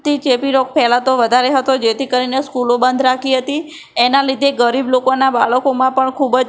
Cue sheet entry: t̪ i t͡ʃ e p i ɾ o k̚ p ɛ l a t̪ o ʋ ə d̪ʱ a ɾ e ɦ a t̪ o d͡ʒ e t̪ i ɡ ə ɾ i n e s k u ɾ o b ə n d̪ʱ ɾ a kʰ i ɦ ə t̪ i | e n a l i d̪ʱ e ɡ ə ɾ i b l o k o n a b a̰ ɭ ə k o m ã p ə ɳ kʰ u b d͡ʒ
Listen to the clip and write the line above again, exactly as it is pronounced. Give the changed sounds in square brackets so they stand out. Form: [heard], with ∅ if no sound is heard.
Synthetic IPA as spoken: t̪ i t͡ʃ e p i ɾ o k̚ p ɛ l a t̪ o ʋ ə d̪ʱ a ɾ e ɦ [ə] t̪ o d͡ʒ e t̪ i [k] ə ɾ i n e s k u [l] o b ə n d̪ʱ ɾ a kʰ i ɦ ə t̪ i | e n a l i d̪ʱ e ɡ ə ɾ i b l o k o n a b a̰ ɭ ə k o m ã p ə ɳ kʰ u b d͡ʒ